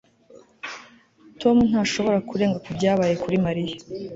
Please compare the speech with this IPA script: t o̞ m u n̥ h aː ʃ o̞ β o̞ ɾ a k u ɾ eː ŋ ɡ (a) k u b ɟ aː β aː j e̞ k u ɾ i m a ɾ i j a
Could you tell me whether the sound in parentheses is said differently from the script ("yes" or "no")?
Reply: no